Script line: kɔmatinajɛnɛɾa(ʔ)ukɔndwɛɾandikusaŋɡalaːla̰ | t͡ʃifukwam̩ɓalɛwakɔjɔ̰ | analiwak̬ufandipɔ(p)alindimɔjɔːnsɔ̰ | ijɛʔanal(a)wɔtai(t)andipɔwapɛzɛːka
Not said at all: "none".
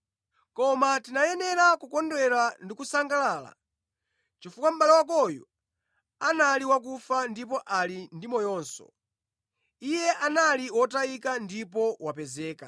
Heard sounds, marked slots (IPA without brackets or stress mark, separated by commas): k, ʔ, i, k